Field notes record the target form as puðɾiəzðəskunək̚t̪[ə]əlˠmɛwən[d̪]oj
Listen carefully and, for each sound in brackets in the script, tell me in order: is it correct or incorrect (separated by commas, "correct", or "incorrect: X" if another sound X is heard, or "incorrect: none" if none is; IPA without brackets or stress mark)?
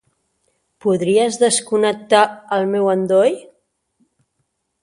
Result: incorrect: a, correct